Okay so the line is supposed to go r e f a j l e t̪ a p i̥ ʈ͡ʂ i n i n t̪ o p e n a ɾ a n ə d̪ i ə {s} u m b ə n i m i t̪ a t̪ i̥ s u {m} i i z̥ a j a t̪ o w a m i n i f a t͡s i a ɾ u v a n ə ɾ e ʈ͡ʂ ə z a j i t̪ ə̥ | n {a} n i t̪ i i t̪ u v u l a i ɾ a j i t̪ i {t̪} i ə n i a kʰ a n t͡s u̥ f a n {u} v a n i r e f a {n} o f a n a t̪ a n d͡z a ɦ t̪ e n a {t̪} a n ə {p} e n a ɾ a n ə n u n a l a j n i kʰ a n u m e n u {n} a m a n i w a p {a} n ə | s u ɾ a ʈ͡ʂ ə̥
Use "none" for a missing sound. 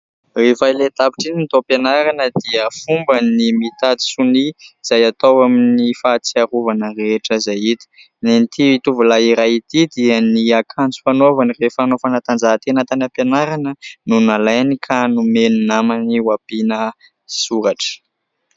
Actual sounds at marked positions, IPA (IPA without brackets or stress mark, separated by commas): f, n, e, d̪, o, n, t̪, p, n, i